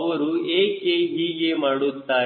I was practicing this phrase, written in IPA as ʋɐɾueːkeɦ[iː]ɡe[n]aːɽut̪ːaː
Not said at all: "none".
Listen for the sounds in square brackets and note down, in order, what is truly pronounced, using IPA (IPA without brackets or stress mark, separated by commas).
iː, m